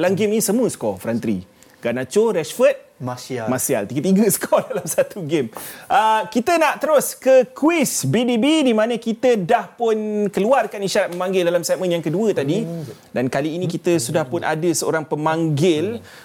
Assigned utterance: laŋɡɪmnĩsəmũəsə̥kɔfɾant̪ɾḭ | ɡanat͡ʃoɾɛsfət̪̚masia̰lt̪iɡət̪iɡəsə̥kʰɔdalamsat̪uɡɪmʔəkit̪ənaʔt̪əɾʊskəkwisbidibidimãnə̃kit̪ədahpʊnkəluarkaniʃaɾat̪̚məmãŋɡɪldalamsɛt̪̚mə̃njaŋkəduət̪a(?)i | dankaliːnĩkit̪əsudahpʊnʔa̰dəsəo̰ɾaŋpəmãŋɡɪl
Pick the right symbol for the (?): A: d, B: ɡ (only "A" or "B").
A